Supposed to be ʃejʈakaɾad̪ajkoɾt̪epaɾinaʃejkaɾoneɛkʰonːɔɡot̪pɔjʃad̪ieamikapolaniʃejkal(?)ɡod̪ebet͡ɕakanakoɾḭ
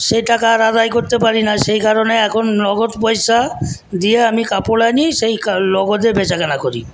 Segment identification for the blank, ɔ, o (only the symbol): ɔ